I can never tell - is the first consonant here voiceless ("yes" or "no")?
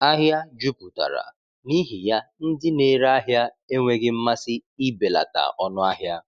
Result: no